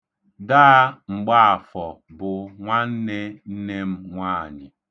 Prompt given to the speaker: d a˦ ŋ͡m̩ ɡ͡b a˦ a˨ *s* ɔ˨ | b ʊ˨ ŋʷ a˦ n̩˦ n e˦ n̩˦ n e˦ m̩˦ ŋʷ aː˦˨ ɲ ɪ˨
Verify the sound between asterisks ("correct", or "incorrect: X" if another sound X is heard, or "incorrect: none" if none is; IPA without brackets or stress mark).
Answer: incorrect: f